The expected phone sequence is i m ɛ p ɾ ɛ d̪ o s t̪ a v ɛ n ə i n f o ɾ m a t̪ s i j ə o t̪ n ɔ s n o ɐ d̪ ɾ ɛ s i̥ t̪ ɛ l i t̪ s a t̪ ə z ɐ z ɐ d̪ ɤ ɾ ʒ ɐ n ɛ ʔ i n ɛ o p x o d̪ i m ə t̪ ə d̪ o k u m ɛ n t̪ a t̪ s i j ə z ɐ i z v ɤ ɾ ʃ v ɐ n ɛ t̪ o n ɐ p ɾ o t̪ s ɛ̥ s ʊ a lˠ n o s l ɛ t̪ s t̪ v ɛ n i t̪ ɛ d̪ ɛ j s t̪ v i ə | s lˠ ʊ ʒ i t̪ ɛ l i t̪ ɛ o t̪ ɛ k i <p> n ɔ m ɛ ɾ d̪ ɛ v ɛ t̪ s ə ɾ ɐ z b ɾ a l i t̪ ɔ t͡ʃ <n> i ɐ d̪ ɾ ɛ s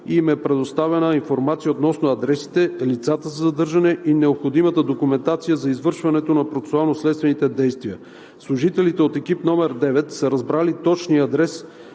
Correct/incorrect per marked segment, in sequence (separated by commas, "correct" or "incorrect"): correct, correct